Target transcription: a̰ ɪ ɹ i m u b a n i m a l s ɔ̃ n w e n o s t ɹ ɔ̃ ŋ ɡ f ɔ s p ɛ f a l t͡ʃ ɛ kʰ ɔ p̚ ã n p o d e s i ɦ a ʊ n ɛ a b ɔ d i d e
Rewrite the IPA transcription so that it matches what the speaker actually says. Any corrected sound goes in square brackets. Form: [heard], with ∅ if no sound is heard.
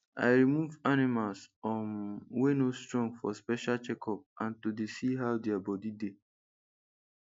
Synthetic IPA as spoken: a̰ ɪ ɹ i m u [v] a n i m a l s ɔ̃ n w e n o s t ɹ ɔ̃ ŋ ɡ f ɔ s p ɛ [ʃ] a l t͡ʃ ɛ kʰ ɔ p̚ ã n [t] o d e s i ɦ a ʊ [d] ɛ a b ɔ d i d e